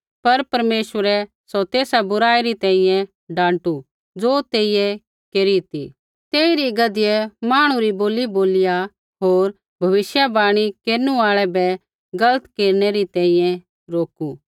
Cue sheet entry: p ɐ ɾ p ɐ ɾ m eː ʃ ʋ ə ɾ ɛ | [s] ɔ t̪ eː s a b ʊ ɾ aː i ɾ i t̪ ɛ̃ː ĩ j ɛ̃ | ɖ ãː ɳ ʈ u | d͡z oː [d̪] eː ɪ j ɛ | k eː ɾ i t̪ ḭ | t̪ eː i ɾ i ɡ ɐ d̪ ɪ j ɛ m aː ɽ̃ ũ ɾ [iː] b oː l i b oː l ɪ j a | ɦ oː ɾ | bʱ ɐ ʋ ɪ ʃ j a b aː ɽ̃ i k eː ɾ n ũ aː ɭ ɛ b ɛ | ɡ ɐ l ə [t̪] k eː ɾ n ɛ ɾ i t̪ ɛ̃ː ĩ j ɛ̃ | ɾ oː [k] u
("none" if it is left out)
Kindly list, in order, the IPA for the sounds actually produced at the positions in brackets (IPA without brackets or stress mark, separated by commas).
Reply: s, t̪, i, t̪, k